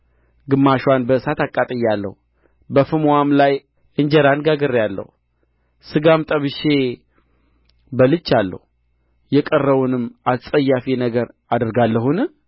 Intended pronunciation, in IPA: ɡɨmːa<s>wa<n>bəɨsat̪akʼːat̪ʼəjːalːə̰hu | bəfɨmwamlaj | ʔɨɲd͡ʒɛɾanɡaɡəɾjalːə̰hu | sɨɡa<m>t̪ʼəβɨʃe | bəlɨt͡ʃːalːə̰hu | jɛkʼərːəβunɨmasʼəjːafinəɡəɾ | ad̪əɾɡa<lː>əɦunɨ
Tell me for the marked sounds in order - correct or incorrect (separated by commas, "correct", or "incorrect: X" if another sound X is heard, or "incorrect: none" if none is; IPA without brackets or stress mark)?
incorrect: ʃ, correct, correct, correct